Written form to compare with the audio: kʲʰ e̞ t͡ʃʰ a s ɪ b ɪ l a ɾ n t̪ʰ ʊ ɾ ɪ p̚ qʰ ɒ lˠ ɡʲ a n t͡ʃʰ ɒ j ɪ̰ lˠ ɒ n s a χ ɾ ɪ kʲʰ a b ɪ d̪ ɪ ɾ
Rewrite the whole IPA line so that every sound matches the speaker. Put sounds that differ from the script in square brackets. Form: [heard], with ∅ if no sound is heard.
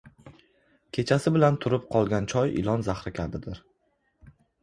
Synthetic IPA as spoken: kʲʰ e̞ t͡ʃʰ a s ɪ b ɪ l a [∅] n t̪ʰ ʊ ɾ ɪ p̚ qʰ ɒ lˠ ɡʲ a n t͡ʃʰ ɒ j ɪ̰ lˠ ɒ n [z] a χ ɾ ɪ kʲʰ a b ɪ d̪ ɪ ɾ

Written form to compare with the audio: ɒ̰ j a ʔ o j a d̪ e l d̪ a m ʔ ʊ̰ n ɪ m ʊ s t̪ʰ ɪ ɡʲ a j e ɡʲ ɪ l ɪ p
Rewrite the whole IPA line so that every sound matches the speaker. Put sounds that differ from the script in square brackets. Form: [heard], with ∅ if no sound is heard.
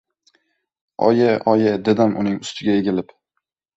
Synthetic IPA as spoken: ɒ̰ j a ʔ [ɒ] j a d̪ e [∅] d̪ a m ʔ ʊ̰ n ɪ [ŋ] ʊ s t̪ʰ ɪ ɡʲ a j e ɡʲ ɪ l ɪ p

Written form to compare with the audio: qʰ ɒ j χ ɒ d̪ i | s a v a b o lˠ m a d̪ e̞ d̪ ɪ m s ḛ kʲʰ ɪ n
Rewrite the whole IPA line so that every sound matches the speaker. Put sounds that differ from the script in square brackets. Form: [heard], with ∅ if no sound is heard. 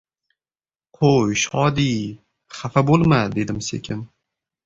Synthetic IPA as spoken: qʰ [o] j [ʃ] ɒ d̪ i | [χ] a [f] a b o lˠ m a d̪ e̞ d̪ ɪ m s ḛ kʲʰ ɪ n

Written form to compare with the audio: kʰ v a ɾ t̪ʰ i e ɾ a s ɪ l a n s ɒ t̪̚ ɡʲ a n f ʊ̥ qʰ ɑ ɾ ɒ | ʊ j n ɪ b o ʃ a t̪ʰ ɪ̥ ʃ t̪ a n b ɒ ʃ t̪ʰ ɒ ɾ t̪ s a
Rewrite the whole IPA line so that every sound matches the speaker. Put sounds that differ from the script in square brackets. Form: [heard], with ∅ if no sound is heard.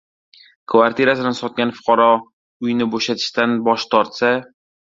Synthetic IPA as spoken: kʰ v a ɾ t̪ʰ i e ɾ a s ɪ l a n s ɒ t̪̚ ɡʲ a n f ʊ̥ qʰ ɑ ɾ ɒ | ʊ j n ɪ b o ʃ a t̪ʰ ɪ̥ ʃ t̪ a n b ɒ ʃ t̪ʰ ɒ ɾ t̪ s a

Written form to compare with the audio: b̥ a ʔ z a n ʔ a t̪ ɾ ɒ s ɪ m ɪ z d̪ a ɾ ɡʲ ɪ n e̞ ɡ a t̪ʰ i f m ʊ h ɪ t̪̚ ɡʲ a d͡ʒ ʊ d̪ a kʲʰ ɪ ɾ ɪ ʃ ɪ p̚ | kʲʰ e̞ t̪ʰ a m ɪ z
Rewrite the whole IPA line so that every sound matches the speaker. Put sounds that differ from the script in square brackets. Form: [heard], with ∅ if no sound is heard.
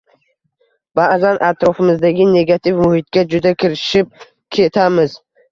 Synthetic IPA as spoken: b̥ a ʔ z a n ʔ a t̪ ɾ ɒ [f] ɪ m ɪ z d̪ a [∅] ɡʲ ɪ n e̞ ɡ a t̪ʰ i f m ʊ h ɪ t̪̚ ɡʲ a d͡ʒ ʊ d̪ a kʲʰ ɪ ɾ ɪ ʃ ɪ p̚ | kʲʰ e̞ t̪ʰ a m ɪ z

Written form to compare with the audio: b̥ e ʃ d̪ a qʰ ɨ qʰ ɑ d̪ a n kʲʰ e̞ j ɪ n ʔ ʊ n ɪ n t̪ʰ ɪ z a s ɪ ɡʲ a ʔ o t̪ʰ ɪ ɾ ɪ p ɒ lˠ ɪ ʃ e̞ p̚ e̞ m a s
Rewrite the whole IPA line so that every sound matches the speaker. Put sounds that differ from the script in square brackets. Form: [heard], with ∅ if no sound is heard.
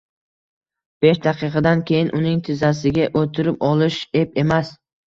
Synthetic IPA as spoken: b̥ e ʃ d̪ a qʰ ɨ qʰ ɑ d̪ a n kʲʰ e̞ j ɪ n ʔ ʊ n ɪ [ŋ] t̪ʰ ɪ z a s ɪ ɡʲ a ʔ o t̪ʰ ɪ ɾ ɪ p ɒ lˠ ɪ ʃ e̞ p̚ e̞ m a s

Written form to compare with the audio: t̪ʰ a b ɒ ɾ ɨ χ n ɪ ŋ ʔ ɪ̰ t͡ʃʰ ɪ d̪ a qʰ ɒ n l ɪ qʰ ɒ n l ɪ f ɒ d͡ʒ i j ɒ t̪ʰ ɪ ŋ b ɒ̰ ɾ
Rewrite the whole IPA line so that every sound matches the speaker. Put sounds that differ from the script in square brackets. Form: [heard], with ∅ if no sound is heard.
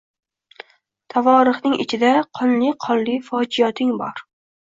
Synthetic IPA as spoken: t̪ʰ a [v] ɒ ɾ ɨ χ n ɪ ŋ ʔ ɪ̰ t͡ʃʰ ɪ d̪ a qʰ ɒ n l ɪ qʰ ɒ n l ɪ f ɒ d͡ʒ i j ɒ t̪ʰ ɪ ŋ b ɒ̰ ɾ

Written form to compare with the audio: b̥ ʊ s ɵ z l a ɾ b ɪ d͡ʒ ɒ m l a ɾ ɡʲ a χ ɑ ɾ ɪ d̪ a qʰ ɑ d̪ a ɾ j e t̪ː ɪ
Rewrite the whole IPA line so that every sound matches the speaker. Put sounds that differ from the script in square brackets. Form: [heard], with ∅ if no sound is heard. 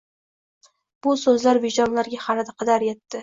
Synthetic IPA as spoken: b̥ ʊ s ɵ z l a ɾ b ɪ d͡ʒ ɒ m l a ɾ ɡʲ a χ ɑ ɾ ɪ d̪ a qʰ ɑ d̪ a ɾ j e t̪ː ɪ

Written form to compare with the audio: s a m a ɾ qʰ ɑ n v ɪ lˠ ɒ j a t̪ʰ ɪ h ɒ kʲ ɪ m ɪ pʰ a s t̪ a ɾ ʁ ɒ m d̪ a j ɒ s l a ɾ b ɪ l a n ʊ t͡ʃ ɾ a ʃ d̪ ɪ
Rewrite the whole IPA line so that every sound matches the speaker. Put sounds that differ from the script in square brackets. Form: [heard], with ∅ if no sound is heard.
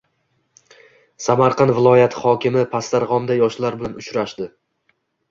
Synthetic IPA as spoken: s a m a ɾ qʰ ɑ n v ɪ lˠ ɒ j a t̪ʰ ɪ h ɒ kʲ ɪ m ɪ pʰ a s t̪ a ɾ ʁ ɒ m d̪ a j ɒ [ʃ] l a ɾ b ɪ l a n ʊ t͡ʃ ɾ a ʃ d̪ ɪ

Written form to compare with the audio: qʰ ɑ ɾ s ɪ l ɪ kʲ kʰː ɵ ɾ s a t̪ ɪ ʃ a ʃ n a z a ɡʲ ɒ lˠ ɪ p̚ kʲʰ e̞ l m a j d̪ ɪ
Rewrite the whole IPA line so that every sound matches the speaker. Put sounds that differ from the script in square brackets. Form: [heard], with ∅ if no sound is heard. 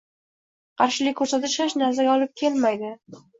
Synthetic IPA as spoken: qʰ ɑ ɾ [ʃ] ɪ l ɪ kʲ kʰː ɵ ɾ s a t̪ ɪ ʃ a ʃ n a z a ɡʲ ɒ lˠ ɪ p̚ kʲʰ e̞ l m a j d̪ ɪ

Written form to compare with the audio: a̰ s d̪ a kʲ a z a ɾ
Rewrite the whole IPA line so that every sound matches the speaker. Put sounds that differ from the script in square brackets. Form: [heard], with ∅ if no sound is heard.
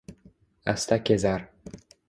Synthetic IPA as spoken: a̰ s [t̪] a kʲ [e] z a ɾ

